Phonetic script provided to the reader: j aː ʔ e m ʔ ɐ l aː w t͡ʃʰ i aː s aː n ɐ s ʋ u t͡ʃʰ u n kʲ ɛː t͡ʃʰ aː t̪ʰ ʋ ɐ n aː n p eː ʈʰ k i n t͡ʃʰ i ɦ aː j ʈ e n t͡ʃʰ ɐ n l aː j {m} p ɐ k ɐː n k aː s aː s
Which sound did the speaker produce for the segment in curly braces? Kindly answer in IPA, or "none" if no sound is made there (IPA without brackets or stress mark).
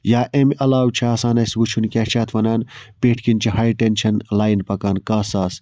n